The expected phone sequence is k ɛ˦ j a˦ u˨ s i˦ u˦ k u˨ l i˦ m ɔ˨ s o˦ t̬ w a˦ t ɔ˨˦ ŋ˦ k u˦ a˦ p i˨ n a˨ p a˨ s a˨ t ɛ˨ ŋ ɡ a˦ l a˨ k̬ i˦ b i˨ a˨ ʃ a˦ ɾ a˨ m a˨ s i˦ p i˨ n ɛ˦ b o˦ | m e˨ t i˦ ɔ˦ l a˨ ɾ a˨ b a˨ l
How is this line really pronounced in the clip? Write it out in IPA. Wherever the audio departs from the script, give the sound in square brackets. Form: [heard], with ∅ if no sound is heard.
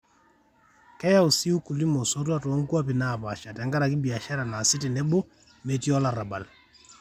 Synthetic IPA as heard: k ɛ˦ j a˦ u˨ s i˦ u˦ k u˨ l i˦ m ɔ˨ s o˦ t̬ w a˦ t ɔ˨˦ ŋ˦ k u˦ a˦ p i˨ n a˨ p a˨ [ʃ] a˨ t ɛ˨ ŋ ɡ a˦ [ɾ] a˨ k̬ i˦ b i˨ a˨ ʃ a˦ ɾ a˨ [n] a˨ s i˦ [t] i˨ n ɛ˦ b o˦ | m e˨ t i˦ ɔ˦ l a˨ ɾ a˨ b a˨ l